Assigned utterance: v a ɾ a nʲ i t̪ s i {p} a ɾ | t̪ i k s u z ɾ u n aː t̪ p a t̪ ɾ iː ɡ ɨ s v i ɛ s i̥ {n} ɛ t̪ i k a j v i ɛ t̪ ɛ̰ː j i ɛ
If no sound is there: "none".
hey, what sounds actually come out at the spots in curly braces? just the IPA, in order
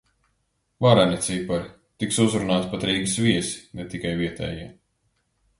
p, n

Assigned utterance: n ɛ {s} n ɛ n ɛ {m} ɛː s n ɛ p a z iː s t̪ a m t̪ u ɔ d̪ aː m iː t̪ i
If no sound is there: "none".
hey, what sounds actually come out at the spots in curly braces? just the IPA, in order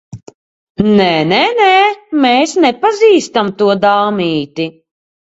none, m

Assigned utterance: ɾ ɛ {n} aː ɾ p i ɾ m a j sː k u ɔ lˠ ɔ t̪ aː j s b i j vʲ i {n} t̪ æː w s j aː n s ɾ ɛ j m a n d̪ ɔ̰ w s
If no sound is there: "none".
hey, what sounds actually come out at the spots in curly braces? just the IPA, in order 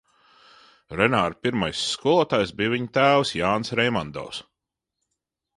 n, ɲ

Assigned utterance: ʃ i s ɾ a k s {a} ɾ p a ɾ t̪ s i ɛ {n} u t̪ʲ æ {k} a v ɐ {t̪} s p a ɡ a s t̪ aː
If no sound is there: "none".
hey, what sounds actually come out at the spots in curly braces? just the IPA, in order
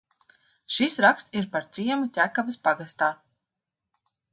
i, m, k, none

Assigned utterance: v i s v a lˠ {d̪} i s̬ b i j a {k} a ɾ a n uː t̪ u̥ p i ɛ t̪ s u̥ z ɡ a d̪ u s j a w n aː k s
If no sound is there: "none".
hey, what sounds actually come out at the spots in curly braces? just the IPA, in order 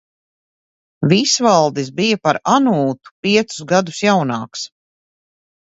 d̪, p

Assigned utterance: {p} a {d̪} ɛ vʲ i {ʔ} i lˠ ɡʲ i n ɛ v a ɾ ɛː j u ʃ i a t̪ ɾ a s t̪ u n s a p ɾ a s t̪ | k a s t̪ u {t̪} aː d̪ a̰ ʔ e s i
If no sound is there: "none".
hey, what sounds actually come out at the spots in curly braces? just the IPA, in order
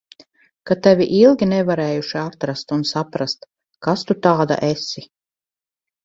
k, t̪, ʔ, t̪

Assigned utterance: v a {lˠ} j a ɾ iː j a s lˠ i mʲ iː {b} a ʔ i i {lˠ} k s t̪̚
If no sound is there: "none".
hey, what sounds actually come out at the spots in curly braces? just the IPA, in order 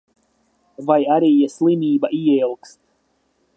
none, b, lˠ

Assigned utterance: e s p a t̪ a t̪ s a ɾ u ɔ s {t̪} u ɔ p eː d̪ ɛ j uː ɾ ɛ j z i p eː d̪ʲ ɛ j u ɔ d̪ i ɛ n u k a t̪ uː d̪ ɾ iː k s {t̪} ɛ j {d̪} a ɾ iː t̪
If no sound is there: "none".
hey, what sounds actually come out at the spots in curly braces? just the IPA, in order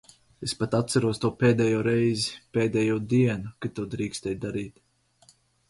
t̪, t̪, d̪

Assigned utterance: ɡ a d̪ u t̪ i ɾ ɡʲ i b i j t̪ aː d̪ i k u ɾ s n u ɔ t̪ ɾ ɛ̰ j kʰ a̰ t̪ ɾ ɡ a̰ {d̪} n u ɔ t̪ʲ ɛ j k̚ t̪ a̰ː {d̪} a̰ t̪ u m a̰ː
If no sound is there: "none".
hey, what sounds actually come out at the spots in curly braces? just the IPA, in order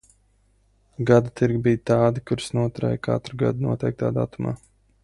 d̪, d̪

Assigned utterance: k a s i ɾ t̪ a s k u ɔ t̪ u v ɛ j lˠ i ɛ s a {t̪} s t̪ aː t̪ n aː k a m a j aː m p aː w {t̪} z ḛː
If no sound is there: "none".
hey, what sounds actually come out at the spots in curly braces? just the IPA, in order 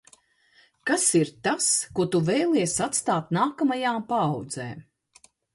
t̪, d̪

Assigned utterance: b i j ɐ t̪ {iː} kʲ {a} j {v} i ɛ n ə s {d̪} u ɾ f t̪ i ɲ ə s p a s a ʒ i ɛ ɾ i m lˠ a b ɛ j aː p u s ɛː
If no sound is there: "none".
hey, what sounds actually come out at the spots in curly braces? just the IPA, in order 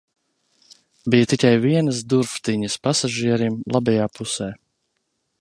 i, a, v, d̪

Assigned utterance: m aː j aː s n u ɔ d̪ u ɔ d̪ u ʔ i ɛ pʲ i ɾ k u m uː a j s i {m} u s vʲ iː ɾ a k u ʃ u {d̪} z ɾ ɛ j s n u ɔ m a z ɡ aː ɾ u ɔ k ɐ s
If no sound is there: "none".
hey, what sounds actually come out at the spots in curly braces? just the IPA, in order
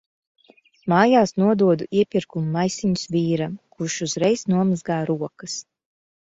ɲ, none

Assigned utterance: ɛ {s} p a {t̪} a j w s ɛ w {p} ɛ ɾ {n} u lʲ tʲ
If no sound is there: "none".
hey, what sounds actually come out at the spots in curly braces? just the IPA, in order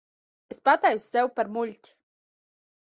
s, t̪, p, m

